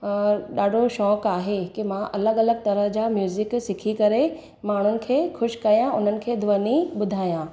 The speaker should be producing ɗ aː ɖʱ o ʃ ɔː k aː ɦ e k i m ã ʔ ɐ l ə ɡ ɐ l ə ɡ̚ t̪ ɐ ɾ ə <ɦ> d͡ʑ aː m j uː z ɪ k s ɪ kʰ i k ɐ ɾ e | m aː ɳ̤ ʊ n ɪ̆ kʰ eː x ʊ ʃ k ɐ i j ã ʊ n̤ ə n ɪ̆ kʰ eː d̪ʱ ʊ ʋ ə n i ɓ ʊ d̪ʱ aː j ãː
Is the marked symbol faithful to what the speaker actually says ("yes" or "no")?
yes